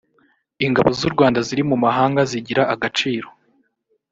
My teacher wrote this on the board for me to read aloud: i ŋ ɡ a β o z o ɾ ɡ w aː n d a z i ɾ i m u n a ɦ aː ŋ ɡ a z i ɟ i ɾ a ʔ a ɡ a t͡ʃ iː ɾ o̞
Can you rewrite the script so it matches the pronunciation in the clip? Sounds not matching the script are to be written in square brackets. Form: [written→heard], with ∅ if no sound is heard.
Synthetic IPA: i ŋ ɡ a β o z [o→u] ɾ ɡ w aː n d a z i ɾ i m u [n→m] a ɦ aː ŋ ɡ a z i ɟ i ɾ a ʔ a ɡ a t͡ʃ iː ɾ o̞

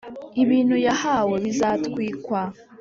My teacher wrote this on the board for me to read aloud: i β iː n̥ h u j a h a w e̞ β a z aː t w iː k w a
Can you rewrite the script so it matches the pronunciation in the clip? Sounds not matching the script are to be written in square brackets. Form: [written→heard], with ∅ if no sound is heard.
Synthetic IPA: i β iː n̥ h u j a h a w e̞ β [a→i] z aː t w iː k w a

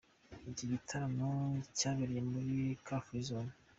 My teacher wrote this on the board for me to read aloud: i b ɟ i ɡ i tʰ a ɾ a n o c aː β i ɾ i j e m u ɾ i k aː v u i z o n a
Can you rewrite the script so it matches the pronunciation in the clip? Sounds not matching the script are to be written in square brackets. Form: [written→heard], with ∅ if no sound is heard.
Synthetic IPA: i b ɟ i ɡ i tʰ a ɾ a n o c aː β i ɾ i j e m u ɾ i k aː [v→f] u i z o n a

